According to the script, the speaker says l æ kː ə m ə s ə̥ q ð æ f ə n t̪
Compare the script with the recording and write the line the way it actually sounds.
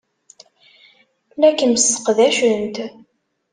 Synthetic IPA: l æ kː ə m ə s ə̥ q ð æ ʃ ə n t̪